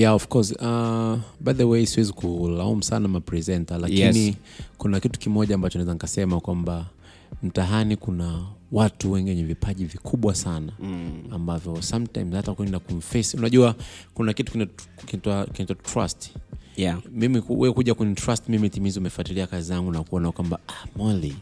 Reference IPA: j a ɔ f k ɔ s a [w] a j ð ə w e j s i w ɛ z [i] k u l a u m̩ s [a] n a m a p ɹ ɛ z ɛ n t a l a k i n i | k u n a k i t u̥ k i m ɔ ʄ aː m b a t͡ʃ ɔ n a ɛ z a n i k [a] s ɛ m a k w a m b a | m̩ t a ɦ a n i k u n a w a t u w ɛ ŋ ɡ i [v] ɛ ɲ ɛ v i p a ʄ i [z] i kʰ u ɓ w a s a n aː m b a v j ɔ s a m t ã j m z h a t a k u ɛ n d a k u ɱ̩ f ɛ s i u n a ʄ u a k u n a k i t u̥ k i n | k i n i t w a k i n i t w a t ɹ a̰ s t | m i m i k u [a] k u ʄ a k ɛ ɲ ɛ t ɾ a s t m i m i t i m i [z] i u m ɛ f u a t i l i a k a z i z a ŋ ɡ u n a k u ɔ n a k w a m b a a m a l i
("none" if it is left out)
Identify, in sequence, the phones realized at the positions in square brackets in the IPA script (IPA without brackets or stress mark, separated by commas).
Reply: b, i, a, a, w, v, ɛ, z